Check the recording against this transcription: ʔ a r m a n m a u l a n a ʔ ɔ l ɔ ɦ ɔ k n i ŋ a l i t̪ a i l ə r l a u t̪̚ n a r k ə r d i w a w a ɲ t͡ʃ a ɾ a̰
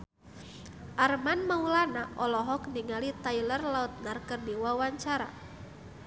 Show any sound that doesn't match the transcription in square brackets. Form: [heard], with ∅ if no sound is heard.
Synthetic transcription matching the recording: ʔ a r m a n m a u l a n a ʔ ɔ l ɔ ɦ ɔ k n i ŋ a l i t̪ a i l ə r l a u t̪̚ n a r k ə r d i w a w a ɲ t͡ʃ a ɾ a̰